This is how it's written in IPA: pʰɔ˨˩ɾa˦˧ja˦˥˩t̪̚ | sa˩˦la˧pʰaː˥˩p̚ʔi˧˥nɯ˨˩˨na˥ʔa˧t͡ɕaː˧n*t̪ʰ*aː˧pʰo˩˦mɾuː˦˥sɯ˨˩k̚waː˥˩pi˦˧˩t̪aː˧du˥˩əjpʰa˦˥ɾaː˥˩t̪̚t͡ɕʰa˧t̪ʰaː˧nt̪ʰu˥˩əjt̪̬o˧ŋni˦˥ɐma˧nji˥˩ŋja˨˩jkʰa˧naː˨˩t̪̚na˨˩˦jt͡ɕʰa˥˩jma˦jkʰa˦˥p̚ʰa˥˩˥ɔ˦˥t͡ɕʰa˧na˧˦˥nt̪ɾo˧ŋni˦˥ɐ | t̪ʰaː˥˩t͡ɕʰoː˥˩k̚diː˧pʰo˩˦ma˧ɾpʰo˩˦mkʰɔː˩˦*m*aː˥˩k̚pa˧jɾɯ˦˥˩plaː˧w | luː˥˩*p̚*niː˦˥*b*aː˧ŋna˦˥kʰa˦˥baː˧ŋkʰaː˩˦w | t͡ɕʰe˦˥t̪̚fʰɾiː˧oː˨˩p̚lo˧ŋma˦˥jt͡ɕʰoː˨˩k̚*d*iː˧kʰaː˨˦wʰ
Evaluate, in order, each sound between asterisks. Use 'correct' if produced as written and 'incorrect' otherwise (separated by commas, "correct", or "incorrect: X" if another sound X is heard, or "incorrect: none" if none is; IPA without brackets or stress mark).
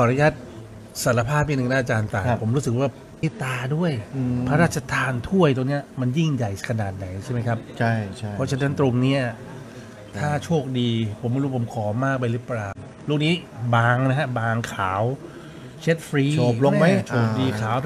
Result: incorrect: t̪, correct, incorrect: k̚, correct, correct